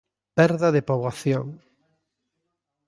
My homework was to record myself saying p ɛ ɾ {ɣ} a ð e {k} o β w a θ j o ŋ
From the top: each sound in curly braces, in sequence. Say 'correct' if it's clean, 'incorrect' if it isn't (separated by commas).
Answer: incorrect, incorrect